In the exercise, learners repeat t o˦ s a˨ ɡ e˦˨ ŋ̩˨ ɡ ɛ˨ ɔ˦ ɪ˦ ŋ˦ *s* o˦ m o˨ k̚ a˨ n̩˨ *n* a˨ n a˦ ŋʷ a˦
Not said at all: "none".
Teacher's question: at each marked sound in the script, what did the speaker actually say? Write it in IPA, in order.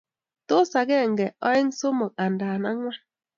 s, d

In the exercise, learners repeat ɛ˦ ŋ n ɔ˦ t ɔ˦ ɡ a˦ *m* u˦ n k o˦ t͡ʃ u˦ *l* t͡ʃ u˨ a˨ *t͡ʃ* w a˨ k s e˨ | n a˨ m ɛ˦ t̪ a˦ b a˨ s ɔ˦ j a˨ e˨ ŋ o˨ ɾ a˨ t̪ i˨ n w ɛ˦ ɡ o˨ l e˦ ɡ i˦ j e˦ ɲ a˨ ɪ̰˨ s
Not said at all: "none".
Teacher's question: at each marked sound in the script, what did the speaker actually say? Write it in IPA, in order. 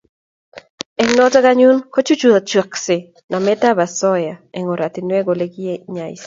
ɲ, none, t͡ʃ

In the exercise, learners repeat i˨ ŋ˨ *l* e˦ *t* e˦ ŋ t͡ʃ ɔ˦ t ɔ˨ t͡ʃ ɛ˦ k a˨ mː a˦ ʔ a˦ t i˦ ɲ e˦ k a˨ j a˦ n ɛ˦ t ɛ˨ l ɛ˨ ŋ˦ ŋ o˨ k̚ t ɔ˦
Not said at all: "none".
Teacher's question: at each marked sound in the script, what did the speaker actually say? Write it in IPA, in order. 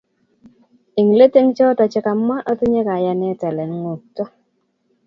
l, t

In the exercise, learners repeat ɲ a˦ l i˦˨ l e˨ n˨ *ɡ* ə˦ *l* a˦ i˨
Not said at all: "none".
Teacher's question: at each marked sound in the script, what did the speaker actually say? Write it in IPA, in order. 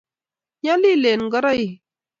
ɡ, ɾ

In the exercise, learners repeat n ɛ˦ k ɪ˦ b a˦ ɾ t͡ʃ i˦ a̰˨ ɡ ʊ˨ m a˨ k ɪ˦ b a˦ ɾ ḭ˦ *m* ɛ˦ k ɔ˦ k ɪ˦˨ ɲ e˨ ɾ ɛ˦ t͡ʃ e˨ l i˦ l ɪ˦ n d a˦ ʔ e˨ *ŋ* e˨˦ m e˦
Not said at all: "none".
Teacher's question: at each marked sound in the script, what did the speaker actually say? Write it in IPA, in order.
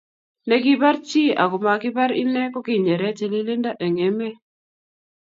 n, ŋ

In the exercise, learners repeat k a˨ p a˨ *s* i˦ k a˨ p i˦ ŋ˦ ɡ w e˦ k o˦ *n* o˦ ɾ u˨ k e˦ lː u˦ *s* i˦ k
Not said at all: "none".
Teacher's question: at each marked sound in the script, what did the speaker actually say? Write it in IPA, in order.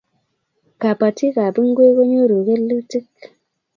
t, ɲ, t

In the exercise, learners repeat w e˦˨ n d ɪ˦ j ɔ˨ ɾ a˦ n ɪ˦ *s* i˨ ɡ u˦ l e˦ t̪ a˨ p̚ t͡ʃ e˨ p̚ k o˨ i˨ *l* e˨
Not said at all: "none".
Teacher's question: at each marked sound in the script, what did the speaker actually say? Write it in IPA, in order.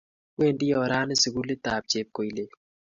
s, l

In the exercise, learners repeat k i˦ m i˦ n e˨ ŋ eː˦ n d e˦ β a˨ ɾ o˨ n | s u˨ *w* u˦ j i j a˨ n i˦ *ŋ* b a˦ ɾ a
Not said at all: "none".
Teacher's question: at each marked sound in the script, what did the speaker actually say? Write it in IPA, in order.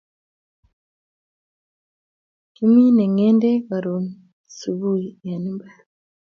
β, m

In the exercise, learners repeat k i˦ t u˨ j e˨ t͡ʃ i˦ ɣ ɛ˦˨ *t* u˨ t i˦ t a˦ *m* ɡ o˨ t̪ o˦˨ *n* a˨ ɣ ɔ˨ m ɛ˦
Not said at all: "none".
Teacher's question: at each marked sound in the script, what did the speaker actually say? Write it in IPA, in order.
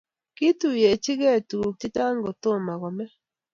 t, ŋ, m

